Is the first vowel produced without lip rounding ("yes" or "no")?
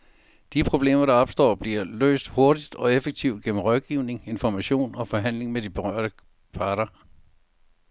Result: yes